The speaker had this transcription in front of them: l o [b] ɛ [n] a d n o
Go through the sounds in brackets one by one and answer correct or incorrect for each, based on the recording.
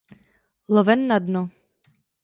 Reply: incorrect, incorrect

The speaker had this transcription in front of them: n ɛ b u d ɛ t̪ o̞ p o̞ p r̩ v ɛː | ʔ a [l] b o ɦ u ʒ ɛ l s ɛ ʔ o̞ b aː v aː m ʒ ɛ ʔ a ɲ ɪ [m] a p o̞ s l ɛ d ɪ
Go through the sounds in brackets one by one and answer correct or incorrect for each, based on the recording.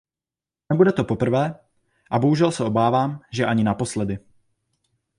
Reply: incorrect, incorrect

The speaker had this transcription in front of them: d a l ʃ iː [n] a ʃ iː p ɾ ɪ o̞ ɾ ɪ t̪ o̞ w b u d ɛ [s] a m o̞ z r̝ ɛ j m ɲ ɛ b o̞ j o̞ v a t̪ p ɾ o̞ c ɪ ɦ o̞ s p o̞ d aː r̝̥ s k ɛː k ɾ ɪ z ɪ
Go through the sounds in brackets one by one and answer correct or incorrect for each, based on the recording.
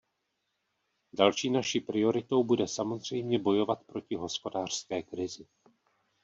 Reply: correct, correct

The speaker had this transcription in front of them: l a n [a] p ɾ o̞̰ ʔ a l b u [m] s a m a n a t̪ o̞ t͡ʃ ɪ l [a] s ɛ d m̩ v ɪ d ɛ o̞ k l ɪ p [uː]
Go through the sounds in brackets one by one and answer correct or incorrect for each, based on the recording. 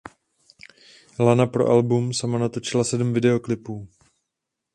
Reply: correct, correct, correct, correct

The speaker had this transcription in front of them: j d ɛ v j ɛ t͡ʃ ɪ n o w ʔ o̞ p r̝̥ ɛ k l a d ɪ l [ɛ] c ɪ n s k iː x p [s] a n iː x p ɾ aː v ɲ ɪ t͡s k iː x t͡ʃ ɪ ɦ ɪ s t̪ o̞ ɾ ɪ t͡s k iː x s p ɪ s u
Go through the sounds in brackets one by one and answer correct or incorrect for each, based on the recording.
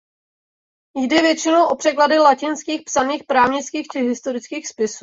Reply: incorrect, correct

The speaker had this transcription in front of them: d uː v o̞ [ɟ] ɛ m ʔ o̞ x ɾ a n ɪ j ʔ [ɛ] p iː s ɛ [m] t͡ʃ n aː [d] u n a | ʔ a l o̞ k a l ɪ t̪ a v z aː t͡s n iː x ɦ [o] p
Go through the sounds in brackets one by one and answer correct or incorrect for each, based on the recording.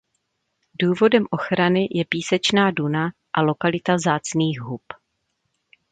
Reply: incorrect, correct, incorrect, correct, incorrect

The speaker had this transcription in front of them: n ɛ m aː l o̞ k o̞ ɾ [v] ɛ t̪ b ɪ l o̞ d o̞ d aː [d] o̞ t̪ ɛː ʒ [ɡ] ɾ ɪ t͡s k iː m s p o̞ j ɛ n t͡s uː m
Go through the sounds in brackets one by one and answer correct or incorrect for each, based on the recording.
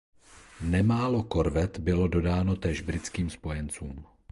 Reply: correct, incorrect, incorrect

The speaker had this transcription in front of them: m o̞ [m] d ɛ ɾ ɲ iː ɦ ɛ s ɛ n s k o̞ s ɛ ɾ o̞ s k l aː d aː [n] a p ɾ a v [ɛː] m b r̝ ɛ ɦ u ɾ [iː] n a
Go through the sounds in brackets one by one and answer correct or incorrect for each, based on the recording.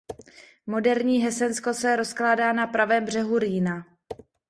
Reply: incorrect, correct, correct, correct

